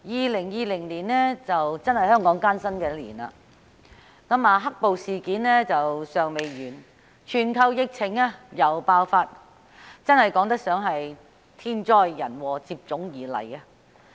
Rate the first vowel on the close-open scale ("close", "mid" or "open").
close